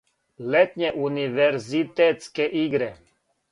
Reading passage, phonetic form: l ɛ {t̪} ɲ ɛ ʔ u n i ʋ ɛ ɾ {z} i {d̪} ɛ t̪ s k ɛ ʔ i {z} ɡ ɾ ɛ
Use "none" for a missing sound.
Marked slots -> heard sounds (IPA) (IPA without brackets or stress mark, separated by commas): t̪, z, t̪, none